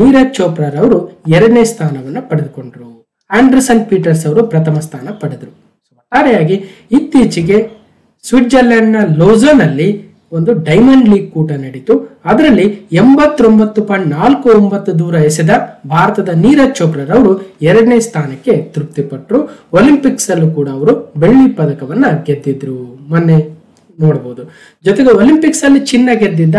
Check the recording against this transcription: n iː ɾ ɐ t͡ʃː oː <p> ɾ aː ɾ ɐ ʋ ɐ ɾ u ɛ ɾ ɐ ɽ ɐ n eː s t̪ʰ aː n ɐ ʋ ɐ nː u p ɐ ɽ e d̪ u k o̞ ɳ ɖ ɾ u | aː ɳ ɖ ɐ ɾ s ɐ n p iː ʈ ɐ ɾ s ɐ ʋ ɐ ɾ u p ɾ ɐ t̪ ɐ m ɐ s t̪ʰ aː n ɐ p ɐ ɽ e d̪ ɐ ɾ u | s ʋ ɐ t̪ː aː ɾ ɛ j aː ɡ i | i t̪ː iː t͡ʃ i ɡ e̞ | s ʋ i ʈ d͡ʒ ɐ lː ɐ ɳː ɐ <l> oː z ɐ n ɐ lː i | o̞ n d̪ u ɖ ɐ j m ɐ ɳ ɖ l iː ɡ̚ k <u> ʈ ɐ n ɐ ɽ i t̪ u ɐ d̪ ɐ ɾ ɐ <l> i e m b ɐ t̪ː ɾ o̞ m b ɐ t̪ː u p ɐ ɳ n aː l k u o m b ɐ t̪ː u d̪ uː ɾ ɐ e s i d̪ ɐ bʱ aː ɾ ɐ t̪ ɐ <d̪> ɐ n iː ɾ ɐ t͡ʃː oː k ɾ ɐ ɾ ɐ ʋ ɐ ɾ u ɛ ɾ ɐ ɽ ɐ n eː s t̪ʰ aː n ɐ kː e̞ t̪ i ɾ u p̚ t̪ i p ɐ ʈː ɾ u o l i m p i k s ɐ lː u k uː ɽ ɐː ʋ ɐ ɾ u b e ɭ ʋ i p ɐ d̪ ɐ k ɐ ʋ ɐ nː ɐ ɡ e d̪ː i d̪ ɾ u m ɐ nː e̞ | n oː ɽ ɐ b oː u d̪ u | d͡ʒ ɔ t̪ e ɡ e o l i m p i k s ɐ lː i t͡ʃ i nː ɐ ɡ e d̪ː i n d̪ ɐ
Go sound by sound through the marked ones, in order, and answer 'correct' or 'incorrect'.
correct, correct, incorrect: uː, incorrect: lː, correct

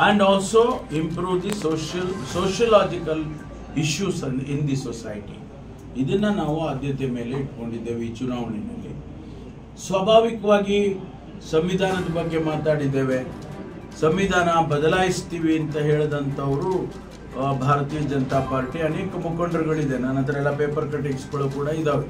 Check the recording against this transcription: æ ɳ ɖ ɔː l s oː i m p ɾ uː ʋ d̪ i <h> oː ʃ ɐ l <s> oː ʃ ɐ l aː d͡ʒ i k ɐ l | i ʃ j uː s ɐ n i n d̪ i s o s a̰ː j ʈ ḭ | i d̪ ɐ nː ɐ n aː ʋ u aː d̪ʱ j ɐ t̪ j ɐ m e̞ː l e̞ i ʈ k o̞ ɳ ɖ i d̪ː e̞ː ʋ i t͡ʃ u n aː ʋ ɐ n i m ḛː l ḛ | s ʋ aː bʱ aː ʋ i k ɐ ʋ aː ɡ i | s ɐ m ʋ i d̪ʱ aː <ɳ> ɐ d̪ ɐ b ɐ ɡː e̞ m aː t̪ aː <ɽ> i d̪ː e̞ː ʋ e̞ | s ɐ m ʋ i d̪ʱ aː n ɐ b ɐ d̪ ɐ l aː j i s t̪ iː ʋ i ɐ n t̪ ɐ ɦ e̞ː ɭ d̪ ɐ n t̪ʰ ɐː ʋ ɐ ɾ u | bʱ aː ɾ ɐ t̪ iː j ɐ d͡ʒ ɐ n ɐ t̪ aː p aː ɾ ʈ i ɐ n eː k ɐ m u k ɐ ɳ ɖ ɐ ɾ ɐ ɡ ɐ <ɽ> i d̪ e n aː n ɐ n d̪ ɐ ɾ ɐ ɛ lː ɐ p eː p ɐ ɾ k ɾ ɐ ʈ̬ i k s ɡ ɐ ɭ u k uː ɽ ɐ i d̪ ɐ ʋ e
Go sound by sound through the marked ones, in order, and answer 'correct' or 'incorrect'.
incorrect: s, correct, incorrect: n, correct, incorrect: ɭ

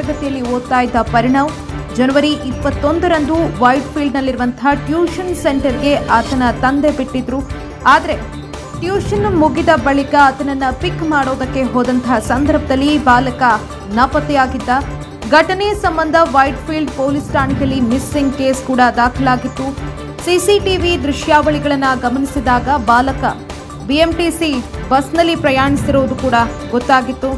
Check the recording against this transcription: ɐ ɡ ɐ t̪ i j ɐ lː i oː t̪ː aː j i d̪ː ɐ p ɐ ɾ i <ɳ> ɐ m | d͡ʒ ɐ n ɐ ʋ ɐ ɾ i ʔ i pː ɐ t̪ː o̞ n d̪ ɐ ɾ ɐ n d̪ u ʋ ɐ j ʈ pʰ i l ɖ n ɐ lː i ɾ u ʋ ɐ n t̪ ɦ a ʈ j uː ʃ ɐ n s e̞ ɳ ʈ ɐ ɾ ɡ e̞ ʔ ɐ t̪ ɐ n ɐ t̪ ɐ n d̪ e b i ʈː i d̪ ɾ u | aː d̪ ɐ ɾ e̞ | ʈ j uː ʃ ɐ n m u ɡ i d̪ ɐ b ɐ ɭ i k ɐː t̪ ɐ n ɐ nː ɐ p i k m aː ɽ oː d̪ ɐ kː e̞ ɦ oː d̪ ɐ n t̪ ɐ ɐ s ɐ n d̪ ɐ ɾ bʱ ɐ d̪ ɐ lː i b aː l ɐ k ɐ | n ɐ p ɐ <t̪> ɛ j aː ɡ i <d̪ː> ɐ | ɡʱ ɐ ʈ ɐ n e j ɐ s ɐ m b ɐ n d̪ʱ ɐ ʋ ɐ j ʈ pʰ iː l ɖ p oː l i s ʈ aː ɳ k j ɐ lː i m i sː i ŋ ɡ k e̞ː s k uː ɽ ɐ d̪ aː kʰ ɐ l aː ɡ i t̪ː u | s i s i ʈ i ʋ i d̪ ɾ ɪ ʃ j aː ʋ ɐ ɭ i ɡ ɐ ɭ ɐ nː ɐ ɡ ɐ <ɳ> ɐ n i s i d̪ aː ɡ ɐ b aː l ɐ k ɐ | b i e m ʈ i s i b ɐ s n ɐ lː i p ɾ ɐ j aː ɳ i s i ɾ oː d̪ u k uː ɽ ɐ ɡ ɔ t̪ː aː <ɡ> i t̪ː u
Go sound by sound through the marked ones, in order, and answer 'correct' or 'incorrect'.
correct, correct, correct, incorrect: m, correct

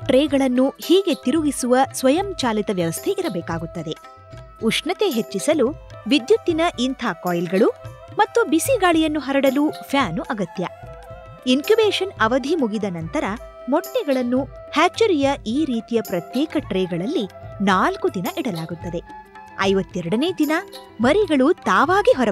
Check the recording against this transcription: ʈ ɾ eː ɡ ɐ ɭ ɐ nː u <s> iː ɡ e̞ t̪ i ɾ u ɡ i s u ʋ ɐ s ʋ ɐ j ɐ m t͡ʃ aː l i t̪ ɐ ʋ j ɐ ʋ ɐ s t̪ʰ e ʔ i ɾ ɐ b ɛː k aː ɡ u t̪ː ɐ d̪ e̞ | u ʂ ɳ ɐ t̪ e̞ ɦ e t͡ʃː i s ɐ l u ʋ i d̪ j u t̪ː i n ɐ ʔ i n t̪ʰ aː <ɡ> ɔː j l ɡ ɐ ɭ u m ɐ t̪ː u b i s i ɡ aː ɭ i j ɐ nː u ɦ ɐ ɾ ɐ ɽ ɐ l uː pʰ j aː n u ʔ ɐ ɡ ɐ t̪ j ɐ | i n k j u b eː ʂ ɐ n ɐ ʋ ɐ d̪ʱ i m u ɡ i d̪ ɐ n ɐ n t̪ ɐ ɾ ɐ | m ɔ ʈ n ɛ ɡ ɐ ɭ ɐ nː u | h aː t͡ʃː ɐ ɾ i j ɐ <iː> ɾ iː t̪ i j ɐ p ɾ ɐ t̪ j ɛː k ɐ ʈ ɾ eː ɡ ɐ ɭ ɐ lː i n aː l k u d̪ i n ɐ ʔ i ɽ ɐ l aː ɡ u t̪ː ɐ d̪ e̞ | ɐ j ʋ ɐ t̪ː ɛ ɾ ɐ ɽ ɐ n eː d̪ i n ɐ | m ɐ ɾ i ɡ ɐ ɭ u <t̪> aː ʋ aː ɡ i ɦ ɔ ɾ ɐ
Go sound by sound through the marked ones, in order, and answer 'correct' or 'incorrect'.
incorrect: h, incorrect: k, correct, correct

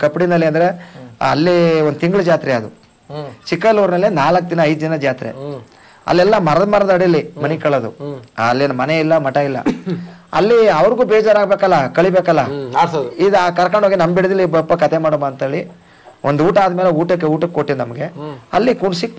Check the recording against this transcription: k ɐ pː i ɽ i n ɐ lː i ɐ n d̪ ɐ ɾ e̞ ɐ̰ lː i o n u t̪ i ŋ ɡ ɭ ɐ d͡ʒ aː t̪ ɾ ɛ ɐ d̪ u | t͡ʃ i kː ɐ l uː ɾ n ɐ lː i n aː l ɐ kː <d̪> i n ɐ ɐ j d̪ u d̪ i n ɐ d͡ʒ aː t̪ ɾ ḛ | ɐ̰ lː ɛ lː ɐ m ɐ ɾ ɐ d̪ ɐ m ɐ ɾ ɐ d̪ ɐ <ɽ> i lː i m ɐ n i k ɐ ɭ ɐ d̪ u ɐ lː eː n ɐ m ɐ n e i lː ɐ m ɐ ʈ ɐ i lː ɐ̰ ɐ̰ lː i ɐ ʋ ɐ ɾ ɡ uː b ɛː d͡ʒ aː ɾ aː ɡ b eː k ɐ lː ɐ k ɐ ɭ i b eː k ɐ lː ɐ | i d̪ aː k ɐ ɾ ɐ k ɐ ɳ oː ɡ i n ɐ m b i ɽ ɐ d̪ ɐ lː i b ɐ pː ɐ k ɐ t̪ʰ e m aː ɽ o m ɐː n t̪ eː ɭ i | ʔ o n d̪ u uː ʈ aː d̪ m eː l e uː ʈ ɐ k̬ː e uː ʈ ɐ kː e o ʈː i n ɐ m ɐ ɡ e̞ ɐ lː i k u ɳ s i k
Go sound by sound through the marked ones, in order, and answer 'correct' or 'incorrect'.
correct, correct

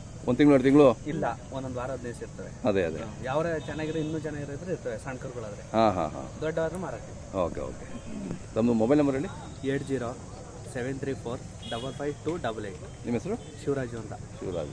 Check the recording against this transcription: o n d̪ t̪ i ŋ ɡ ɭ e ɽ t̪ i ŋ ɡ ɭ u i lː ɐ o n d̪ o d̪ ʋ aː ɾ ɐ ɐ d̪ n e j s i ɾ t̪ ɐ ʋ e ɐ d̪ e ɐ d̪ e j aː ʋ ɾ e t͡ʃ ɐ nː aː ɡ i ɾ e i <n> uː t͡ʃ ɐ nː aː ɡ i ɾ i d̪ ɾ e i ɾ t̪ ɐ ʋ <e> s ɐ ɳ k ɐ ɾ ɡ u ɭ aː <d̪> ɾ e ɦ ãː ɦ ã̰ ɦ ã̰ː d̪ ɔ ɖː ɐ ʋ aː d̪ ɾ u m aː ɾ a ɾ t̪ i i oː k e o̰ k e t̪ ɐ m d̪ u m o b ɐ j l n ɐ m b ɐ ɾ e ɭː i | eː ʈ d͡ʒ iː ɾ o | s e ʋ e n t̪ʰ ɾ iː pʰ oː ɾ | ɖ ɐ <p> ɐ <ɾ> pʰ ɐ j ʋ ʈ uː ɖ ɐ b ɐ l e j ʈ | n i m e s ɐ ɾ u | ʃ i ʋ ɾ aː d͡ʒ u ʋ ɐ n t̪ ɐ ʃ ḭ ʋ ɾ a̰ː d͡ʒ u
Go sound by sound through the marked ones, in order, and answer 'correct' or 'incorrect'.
incorrect: nː, correct, correct, incorrect: b, incorrect: l

